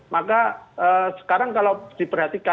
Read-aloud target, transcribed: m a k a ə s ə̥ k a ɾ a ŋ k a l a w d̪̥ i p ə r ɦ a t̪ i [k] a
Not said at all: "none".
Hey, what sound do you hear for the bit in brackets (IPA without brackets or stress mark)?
k